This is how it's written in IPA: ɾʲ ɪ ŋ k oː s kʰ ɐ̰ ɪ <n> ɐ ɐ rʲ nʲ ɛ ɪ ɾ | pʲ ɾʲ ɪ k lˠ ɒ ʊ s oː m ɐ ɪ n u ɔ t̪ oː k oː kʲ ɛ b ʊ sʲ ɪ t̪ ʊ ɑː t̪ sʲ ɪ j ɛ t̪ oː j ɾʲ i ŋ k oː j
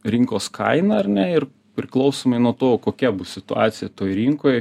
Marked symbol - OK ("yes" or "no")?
yes